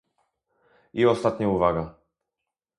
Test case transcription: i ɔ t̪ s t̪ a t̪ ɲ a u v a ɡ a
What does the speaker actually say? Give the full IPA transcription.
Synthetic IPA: i ɔ s t̪ a t̪ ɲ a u v a ɡ a